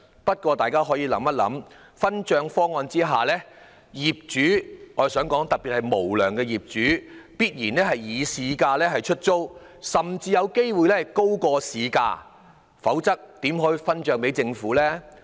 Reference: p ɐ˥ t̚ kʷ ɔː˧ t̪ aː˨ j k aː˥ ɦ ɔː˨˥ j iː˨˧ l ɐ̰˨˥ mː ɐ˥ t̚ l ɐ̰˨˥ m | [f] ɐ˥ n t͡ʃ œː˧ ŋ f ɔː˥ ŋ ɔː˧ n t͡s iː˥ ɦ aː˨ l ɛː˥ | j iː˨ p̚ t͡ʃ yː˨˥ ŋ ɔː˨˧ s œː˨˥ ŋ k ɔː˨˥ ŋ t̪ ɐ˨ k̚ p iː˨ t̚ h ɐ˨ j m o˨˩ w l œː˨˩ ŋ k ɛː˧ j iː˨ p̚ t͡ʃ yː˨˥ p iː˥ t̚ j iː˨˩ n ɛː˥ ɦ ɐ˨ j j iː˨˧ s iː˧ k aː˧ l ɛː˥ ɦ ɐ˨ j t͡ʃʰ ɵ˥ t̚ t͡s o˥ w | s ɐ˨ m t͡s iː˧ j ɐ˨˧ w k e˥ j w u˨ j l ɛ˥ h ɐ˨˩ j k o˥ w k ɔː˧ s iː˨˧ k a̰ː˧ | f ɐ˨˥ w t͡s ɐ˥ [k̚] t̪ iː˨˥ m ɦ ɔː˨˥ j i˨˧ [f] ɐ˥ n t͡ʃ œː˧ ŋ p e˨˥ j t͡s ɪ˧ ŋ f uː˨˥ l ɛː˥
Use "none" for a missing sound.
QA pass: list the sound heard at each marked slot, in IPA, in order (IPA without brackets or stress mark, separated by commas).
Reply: f, k̚, f